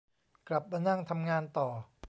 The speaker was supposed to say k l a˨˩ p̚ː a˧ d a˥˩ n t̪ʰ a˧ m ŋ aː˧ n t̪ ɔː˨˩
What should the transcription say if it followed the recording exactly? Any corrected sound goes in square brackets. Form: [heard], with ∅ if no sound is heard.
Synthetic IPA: k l a˨˩ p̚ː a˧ [n] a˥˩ [ŋ] t̪ʰ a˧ m ŋ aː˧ n t̪ ɔː˨˩